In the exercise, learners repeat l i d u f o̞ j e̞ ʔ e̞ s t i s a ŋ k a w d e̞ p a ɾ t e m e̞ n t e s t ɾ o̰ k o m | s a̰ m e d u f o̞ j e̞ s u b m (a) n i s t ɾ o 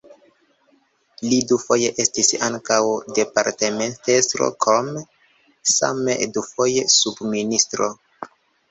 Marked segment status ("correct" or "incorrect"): incorrect